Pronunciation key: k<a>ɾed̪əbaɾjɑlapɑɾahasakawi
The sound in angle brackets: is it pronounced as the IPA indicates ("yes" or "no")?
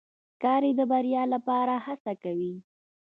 no